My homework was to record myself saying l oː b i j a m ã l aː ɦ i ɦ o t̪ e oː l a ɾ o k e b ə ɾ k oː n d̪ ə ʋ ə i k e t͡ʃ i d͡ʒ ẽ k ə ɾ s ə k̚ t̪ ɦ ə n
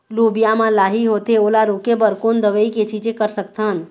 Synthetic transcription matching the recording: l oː b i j a m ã l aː ɦ i ɦ o t̪ e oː l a ɾ o k e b ə ɾ k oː n d̪ ə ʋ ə i k e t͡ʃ i d͡ʒ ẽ k ə ɾ s ə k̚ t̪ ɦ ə n